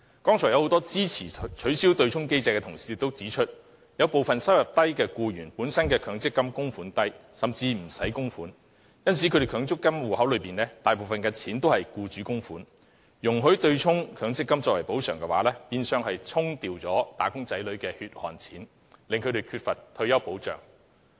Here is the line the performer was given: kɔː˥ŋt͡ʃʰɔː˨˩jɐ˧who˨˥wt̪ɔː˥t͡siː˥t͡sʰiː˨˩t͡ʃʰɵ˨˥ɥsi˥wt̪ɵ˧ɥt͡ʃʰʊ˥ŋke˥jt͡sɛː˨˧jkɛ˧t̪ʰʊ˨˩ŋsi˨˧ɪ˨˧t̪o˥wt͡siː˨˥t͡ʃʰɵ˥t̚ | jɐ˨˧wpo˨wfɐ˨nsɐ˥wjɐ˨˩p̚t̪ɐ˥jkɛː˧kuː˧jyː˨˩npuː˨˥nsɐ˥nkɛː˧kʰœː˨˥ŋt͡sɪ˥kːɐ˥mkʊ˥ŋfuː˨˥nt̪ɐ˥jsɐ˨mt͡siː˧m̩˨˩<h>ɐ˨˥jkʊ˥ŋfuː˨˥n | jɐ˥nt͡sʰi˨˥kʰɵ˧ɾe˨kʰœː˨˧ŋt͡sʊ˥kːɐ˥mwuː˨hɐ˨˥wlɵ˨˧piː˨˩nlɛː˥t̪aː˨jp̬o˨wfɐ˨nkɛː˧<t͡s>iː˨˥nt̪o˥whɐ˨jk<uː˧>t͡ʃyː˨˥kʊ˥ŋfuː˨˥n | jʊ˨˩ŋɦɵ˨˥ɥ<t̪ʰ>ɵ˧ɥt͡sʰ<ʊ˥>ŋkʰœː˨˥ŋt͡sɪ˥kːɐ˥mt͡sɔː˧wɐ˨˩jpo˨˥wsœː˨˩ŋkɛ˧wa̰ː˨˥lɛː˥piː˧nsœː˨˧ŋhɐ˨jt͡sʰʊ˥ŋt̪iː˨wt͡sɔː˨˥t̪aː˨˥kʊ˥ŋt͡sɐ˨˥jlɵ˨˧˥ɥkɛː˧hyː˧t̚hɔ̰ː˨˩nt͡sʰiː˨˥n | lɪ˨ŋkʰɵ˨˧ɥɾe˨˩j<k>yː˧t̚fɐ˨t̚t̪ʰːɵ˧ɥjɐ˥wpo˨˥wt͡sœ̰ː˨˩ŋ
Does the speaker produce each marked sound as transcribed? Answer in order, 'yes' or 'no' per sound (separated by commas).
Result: no, no, yes, no, yes, no